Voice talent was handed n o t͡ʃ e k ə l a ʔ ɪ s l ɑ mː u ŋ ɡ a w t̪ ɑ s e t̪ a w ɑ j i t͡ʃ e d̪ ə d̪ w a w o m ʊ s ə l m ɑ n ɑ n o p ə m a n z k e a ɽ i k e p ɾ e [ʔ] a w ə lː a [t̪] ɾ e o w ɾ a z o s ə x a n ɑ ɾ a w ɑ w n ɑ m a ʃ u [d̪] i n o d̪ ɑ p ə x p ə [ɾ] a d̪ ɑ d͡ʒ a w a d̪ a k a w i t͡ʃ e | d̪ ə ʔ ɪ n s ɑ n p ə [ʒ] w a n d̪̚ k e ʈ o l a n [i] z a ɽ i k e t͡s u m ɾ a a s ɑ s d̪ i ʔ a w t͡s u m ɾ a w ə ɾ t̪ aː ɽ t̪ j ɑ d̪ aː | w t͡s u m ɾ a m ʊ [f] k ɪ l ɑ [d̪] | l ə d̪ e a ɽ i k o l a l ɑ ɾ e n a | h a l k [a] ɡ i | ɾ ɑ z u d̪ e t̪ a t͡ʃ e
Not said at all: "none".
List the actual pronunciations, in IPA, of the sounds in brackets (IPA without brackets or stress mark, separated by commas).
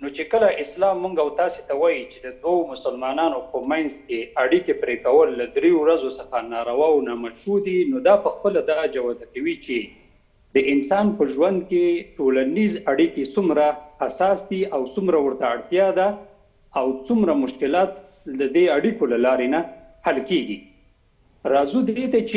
k, d̪, d̪, l, ʒ, i, ʃ, t̪, e